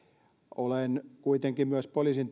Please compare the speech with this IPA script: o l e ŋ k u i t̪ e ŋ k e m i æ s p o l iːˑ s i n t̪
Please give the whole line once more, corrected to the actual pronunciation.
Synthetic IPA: o l e n k u i t̪ e ŋ k i m y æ s p o l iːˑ s i n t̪

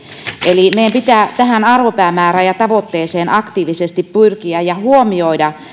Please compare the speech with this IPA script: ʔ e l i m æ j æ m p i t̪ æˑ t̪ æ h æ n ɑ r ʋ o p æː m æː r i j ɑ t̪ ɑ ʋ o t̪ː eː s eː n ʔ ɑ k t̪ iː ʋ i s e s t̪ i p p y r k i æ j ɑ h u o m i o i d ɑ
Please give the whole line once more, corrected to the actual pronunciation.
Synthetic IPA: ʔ e l i m e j æ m p i t̪ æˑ t̪ æ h æ n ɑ r ʋ o p æː m æː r æ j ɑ t̪ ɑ ʋ o t̪ː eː s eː n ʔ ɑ k t̪ iː ʋ i s e s t̪ i p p y r k i æ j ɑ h u o m i o i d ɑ

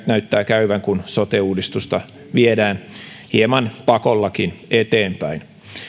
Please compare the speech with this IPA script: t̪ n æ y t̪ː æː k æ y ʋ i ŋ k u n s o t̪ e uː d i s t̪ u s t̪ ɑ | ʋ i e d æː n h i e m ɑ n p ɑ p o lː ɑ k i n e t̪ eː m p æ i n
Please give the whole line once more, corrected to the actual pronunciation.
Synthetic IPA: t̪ n æ y t̪ː æː k æ y ʋ æ ŋ k u n s o t̪ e uː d i s t̪ u s t̪ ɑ | ʋ i e d æː n h i e m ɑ n p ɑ k o lː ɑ k i n e t̪ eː m p æ i n

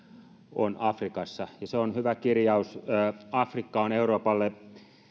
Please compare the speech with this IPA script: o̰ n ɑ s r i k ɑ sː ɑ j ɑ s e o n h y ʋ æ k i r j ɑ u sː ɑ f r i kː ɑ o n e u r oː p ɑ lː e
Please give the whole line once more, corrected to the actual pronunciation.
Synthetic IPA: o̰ n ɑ f r i k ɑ sː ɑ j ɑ s e o n h y ʋ æ k i r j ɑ u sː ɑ f r i kː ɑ o n e u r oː p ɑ lː e

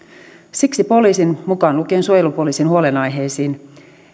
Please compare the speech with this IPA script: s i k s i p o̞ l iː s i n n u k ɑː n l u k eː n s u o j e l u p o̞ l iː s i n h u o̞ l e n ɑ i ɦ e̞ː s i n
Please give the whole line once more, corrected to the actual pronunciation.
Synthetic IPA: s i k s i p o̞ l iː s i n m u k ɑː n l u k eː n s u o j e l u p o̞ l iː s i n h u o̞ l e n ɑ j ɦ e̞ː s iː n

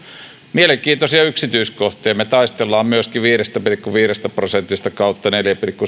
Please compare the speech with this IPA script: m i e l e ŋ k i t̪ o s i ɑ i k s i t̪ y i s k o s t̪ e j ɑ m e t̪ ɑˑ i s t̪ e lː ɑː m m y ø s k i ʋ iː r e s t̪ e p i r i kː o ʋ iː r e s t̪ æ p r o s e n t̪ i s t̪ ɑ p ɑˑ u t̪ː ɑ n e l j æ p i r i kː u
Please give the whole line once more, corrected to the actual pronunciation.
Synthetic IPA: m i e l e ŋ k iː t̪ o s i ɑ y k s i t̪ y i s k o h t̪ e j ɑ m e t̪ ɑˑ i s t̪ e lː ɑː m m y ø s k i ʋ iː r e s t̪ æ p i r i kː u ʋ iː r e s t̪ æ p r o s e n t̪ i s t̪ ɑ k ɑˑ u t̪ː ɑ n e l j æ p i r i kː u

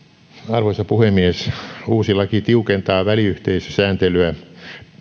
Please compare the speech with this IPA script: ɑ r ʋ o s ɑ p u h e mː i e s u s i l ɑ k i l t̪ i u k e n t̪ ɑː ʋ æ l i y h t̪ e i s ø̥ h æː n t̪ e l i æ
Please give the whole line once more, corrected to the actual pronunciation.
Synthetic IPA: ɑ r ʋ o s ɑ p u h e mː i e s uː s i l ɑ k i t̪ i u k e n t̪ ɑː ʋ æ l i y h t̪ e i s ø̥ s æː n t̪ e l y æ

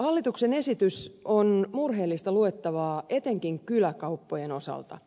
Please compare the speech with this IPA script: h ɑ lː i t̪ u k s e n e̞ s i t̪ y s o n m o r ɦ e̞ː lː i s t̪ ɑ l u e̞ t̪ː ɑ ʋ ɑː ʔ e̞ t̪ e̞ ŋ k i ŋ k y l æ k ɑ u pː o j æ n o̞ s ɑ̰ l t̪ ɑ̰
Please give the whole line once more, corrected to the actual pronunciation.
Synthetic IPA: h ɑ lː i t̪ u k s e n e̞ s i t̪ y s o n m u r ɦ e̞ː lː i s t̪ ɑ l u e̞ t̪ː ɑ ʋ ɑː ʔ e̞ t̪ e̞ ŋ k i ŋ k y l æ k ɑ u pː o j e n o̞ s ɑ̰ l t̪ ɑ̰

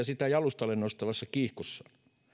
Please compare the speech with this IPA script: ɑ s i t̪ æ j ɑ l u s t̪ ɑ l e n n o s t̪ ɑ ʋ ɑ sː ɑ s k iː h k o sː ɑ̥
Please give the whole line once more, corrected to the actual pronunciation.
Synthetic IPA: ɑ s i t̪ æ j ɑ l u s t̪ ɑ l e n n o s t̪ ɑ ʋ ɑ sː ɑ k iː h k o sː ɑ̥

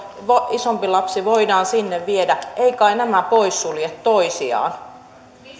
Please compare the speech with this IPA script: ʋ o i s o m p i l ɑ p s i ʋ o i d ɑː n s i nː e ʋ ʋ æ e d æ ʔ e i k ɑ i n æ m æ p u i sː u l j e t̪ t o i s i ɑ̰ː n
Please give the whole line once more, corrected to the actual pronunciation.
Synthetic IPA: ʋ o i s o m p i l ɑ p s i ʋ o i d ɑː n s i nː e ʋ ʋ i e d æ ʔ e i k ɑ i n æ m æ p o i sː u l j e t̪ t o i s i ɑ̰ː n

